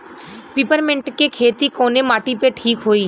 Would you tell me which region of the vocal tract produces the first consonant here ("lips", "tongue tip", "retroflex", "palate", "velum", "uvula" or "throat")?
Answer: lips